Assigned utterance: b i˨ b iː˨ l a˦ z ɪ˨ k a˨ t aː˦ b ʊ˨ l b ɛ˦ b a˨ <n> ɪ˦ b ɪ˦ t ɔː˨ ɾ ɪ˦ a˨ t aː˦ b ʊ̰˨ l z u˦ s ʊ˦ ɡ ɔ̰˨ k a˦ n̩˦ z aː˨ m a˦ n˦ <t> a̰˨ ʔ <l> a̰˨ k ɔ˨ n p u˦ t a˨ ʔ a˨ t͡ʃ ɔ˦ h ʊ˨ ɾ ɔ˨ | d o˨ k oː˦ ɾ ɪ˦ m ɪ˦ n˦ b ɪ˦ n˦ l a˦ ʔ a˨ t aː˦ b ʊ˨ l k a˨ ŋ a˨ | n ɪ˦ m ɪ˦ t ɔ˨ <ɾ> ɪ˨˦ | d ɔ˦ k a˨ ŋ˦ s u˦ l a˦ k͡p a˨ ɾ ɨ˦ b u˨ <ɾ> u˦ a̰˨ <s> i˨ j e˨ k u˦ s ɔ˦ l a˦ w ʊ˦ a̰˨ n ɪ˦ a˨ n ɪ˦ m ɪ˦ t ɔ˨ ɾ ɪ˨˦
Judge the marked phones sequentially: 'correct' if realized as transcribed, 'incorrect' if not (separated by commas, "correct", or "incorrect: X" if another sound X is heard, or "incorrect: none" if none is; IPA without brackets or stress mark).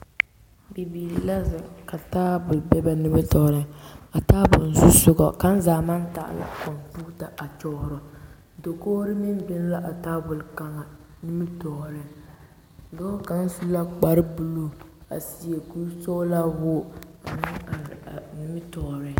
correct, correct, correct, correct, incorrect: l, correct